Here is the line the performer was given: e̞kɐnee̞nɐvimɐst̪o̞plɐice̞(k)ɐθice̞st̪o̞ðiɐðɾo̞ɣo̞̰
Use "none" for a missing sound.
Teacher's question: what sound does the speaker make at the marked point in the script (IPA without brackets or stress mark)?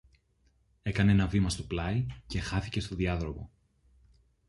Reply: x